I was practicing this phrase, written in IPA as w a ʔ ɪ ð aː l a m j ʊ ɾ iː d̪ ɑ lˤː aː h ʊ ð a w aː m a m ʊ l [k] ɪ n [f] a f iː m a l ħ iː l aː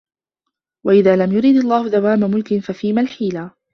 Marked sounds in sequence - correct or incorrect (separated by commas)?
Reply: correct, correct